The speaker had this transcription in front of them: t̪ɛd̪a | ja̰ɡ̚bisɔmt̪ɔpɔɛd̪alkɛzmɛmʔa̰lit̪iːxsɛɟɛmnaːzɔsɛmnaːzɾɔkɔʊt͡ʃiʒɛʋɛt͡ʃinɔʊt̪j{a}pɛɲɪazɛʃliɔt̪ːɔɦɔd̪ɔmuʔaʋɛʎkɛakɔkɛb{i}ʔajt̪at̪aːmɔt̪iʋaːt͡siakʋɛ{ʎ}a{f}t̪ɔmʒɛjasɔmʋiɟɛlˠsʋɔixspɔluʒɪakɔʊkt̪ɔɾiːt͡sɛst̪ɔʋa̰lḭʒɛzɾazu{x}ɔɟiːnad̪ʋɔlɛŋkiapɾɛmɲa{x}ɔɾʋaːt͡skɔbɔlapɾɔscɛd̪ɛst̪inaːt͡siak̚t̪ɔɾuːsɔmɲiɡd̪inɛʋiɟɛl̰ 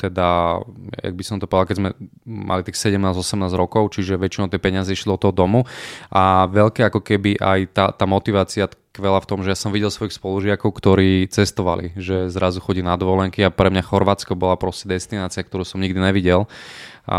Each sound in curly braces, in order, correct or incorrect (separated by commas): incorrect, correct, incorrect, correct, correct, correct